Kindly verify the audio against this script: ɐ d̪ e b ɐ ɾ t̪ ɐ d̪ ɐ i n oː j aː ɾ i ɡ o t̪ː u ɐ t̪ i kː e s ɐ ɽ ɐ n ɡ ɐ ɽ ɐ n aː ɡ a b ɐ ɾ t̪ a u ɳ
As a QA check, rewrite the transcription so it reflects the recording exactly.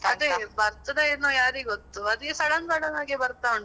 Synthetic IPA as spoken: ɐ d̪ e b ɐ ɾ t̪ ɐ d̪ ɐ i n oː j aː ɾ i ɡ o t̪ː u ɐ d̪ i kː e s ɐ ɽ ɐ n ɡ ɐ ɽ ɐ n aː ɡ e b ɐ ɾ t̪ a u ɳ